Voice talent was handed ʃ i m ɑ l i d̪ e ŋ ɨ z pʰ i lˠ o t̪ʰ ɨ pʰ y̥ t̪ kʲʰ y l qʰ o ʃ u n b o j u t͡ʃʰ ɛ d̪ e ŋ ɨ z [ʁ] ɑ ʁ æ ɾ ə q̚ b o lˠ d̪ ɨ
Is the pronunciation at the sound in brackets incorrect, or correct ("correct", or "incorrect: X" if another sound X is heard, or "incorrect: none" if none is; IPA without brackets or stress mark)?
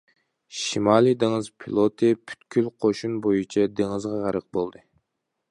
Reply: correct